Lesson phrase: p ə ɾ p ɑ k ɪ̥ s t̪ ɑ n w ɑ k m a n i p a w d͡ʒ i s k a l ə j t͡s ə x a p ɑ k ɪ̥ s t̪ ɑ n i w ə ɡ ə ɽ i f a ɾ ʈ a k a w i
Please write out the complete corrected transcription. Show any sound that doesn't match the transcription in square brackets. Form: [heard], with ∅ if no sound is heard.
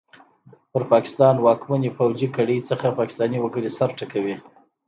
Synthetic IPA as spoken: p ə ɾ p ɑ k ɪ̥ s t̪ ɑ n w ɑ k m a n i p a w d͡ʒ i [∅] k a [ɽ] ə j t͡s ə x a p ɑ k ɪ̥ s t̪ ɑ n i w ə ɡ ə ɽ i [s] a ɾ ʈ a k a w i